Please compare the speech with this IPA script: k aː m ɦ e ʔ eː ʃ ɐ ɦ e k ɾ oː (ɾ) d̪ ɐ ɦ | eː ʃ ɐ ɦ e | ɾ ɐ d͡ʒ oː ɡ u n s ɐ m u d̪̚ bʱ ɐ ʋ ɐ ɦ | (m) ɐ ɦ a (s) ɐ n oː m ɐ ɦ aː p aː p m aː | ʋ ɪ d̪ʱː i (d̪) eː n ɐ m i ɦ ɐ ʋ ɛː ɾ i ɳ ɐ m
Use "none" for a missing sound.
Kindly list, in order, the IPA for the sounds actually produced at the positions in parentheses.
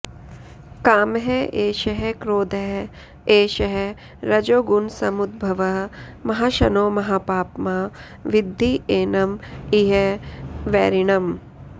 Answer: none, m, ʃ, none

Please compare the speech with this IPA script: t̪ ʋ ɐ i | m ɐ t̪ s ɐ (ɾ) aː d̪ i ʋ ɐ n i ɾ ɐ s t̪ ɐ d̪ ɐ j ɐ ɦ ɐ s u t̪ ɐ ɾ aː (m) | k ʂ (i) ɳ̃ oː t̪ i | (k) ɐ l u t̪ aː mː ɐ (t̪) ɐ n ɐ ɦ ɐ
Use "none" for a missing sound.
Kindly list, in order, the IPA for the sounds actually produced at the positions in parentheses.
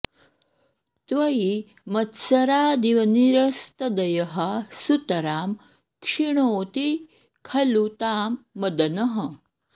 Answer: ɾ, m, i, kʰ, d̪

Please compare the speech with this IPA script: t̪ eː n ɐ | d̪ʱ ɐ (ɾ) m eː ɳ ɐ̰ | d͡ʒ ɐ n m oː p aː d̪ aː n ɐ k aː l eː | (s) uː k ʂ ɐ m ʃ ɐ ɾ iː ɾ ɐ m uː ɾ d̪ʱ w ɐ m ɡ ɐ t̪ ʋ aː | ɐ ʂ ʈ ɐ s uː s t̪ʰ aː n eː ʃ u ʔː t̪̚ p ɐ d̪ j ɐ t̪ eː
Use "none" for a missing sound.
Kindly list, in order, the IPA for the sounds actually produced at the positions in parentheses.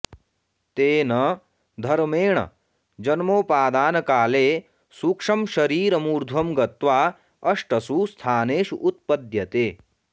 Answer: ɾ, s

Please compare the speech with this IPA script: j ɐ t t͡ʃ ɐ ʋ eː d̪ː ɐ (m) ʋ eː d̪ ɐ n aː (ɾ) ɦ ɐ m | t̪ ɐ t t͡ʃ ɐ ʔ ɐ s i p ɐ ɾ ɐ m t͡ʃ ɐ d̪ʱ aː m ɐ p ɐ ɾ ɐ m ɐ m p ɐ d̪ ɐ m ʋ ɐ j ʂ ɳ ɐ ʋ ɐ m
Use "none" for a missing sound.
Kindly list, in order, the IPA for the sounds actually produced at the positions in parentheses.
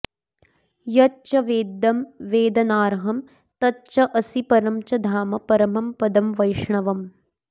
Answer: m, ɾ

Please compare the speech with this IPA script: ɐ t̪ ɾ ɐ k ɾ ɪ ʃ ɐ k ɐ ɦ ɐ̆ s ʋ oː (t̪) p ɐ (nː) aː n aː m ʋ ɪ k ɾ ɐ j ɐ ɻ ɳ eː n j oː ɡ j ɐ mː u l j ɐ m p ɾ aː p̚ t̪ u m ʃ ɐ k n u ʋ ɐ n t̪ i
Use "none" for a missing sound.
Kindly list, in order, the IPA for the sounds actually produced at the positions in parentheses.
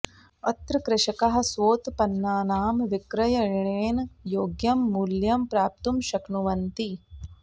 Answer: t̪, nː

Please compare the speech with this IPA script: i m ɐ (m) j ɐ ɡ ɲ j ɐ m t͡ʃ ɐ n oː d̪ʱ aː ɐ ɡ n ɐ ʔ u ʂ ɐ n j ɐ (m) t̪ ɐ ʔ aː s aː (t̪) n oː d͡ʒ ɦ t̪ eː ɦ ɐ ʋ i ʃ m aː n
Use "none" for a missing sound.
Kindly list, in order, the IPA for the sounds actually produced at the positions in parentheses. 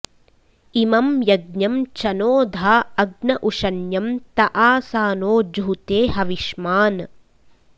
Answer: m, m, none

